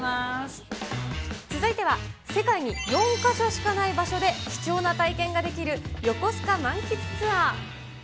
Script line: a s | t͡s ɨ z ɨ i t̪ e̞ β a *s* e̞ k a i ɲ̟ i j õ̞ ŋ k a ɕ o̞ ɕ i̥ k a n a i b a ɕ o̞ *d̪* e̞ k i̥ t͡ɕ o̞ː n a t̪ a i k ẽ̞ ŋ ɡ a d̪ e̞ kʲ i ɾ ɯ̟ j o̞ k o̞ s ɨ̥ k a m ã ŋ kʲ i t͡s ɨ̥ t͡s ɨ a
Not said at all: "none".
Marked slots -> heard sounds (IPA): s, d̪

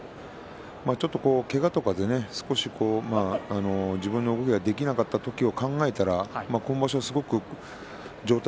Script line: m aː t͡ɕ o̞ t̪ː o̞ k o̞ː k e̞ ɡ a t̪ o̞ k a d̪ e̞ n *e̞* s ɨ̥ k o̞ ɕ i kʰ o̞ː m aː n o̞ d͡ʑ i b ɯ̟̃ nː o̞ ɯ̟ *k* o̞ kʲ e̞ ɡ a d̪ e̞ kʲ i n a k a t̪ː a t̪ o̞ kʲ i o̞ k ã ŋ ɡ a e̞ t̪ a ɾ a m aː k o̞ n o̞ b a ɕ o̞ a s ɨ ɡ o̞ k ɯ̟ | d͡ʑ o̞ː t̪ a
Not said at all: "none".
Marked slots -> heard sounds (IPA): e̞, ɡ

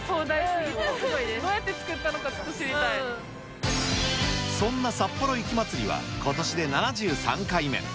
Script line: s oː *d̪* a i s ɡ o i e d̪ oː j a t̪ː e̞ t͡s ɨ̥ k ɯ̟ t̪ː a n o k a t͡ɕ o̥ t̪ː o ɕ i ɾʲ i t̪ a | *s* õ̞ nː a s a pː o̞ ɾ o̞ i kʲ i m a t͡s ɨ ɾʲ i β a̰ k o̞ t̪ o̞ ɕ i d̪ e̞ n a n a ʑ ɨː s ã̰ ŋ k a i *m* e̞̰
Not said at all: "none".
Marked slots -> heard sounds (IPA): d̪, s, m

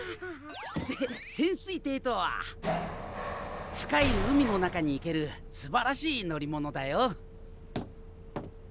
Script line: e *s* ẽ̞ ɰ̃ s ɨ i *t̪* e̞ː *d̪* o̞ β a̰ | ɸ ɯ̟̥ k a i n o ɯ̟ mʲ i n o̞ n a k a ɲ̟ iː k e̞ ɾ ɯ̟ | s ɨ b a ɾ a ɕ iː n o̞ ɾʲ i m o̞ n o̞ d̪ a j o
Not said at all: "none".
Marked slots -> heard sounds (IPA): s, t̪, t̪

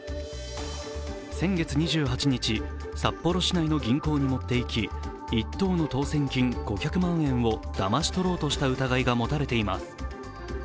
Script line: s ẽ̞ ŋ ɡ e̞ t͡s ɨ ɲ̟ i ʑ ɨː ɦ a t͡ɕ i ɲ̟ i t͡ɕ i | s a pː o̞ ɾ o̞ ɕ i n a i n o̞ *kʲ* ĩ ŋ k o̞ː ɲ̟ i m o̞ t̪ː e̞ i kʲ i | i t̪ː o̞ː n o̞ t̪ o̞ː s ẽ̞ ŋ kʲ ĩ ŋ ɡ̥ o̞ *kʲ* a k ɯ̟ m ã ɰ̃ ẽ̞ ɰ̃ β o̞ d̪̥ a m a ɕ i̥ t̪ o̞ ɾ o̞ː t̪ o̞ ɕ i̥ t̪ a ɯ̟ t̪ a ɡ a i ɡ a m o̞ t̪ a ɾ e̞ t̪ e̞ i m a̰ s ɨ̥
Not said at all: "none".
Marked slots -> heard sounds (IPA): ɡʲ, kʲ

